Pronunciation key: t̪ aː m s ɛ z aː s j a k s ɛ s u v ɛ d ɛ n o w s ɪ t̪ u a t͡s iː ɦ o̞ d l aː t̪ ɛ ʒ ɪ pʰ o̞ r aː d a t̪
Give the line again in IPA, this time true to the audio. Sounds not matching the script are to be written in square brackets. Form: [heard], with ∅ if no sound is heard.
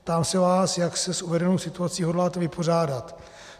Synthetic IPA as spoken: t̪ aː m s ɛ [v] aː s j a k s ɛ s u v ɛ d ɛ n o w s ɪ t̪ u a t͡s iː ɦ o̞ d l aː t̪ ɛ [v] ɪ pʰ o̞ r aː d a t̪